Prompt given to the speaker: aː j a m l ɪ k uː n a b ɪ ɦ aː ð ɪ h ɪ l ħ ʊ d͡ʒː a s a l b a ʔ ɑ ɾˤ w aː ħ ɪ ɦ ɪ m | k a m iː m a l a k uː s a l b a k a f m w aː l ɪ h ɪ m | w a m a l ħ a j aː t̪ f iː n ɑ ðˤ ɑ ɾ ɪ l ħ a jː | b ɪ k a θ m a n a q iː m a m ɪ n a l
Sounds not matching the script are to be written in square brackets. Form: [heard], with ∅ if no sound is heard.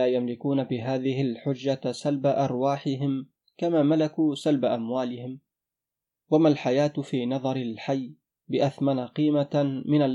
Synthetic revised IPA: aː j a m l ɪ k uː n a b ɪ ɦ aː ð ɪ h ɪ l ħ ʊ d͡ʒː a s a l b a ʔ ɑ ɾˤ w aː ħ ɪ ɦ ɪ m | k a m [aː] m a l a k uː s a l b a [ʔ] a [∅] m w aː l ɪ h ɪ m | w a m a l ħ a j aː t̪ f iː n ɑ ðˤ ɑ ɾ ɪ l ħ a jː | b ɪ [ʔ] a θ m a n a q iː m a m ɪ n a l